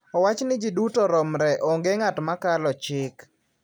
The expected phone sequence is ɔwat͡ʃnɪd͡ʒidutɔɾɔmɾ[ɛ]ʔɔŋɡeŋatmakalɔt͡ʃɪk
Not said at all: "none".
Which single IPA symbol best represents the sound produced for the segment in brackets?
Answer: ɛ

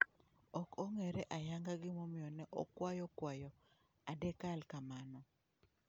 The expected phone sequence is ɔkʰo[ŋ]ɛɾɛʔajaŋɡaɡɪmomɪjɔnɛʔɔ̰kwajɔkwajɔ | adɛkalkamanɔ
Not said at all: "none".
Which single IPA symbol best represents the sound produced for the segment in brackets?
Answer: ŋ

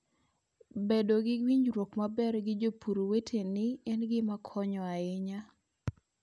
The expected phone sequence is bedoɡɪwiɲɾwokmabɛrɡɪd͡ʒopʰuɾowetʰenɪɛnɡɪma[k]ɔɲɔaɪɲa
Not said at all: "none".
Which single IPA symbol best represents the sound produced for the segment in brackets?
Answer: kʰ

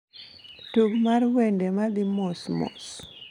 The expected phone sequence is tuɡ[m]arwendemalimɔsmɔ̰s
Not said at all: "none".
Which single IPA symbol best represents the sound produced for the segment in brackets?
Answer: m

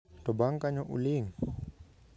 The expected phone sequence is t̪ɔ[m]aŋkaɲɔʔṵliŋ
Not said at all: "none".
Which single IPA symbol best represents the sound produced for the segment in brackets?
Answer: b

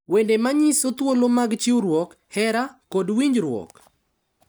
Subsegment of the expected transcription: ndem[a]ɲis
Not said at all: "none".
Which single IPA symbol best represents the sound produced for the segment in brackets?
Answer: a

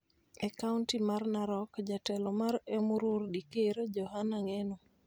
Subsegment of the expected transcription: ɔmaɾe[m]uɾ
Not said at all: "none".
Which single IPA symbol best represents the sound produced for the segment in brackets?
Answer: m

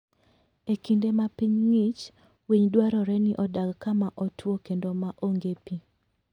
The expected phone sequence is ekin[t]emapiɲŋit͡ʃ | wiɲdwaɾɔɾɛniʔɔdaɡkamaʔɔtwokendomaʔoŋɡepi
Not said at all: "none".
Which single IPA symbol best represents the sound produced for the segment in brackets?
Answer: d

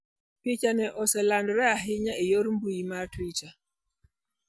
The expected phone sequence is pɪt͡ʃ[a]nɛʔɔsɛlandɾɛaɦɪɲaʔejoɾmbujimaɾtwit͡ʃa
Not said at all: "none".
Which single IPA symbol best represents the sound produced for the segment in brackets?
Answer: a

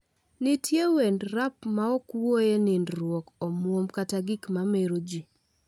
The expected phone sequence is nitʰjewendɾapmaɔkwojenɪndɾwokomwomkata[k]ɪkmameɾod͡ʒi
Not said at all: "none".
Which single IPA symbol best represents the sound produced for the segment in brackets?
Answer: ɡ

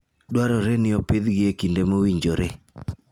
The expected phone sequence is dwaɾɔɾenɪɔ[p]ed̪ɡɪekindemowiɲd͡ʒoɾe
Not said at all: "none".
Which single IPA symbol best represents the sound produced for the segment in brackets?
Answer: p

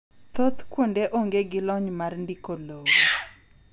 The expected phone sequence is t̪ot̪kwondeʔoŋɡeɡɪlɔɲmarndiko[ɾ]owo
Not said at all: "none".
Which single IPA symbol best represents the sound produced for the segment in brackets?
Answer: l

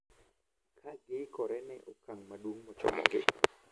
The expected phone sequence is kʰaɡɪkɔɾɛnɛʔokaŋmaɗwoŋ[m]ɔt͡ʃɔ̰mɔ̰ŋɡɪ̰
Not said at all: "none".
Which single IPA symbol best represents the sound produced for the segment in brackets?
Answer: m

